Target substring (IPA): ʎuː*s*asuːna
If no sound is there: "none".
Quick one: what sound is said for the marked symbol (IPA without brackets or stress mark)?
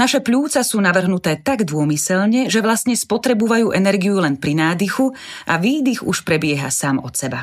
t͡s